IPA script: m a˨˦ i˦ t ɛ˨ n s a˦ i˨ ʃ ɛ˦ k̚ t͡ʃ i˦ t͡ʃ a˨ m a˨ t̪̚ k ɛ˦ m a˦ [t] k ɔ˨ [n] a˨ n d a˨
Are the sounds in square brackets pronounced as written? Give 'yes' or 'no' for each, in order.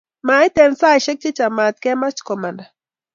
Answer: no, no

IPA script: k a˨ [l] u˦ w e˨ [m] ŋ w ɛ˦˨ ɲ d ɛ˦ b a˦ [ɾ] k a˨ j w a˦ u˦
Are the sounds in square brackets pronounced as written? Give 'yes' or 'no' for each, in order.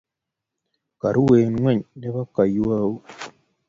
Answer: no, no, no

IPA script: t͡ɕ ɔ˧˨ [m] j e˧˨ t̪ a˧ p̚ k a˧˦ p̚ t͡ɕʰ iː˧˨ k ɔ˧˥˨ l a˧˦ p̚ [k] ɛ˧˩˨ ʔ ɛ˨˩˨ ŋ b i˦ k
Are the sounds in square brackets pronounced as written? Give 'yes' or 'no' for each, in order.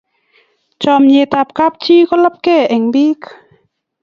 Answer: yes, yes

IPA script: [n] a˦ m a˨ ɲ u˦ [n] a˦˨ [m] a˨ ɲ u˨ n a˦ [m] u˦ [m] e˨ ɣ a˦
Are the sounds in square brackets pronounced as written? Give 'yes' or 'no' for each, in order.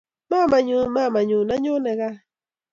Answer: no, no, yes, no, no

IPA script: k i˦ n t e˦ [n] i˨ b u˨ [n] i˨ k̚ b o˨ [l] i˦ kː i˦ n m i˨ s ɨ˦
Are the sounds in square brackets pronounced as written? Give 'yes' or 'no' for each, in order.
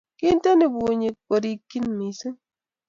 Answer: yes, no, no

